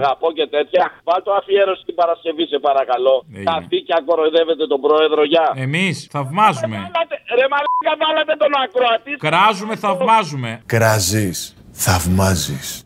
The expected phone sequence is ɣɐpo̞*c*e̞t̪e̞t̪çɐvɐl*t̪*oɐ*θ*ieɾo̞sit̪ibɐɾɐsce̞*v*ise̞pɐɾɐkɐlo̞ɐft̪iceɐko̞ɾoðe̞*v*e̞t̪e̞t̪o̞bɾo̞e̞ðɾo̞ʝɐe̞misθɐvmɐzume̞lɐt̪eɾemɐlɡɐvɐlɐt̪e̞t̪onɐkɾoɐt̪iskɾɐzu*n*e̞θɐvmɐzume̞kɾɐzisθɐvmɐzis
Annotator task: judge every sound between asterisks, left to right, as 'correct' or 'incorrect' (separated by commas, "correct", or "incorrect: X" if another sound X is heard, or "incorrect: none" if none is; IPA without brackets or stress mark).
correct, correct, incorrect: f, correct, correct, incorrect: m